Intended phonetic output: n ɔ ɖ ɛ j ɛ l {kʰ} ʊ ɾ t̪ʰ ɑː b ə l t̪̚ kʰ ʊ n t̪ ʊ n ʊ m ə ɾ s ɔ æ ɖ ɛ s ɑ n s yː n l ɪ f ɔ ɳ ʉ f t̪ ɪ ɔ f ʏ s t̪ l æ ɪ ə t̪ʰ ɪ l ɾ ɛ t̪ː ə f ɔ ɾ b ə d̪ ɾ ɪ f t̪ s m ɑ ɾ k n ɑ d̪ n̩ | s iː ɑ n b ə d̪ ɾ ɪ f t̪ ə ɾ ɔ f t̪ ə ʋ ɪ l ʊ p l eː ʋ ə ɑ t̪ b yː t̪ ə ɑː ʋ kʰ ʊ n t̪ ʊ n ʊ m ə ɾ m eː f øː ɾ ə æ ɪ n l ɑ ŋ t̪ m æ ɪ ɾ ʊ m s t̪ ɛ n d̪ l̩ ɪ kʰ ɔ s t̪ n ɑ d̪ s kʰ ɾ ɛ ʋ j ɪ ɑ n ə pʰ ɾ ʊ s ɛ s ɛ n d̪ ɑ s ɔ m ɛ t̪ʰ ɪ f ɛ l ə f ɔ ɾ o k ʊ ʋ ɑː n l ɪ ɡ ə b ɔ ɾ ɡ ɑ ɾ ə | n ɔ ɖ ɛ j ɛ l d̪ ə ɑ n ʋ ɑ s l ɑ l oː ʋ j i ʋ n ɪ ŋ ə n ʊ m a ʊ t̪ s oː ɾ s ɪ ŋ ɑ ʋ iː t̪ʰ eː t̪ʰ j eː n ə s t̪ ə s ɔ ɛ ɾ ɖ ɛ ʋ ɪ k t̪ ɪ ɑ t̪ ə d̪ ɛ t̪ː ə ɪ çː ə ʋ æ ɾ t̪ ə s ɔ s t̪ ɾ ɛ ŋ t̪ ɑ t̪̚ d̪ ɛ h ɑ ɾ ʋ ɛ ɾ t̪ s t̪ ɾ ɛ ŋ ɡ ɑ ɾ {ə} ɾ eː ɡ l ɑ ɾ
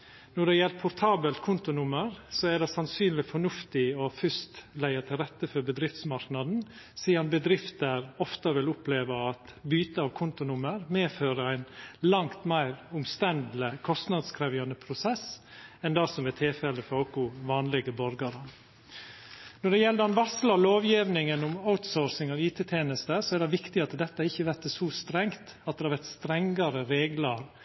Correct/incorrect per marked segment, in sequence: incorrect: pʰ, correct

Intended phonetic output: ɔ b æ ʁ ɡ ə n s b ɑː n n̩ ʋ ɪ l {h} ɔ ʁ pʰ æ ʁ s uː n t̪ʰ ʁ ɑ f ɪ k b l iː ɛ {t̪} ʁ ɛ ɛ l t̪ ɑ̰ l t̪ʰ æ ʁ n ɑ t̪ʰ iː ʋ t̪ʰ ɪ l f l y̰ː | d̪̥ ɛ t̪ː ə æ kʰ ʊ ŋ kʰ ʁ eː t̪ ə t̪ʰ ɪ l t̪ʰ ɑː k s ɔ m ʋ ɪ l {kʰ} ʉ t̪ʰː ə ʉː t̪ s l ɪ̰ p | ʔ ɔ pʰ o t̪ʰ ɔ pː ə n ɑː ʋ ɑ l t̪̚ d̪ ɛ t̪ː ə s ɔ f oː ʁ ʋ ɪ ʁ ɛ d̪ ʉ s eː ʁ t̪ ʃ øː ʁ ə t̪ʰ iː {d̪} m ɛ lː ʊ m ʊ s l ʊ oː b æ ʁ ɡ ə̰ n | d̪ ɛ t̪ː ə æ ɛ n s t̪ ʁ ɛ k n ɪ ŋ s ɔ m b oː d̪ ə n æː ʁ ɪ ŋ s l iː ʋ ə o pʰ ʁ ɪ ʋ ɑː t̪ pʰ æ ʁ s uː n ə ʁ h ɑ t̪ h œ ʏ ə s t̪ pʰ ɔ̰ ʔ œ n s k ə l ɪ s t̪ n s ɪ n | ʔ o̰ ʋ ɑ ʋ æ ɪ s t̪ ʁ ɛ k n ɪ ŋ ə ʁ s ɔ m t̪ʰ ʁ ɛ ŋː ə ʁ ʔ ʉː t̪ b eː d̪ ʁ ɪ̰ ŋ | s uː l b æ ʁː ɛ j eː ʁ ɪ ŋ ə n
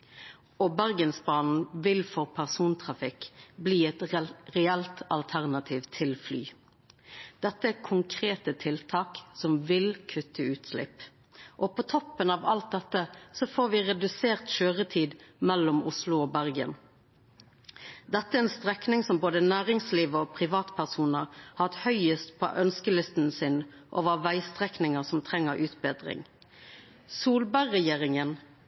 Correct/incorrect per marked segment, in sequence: incorrect: f, correct, correct, correct

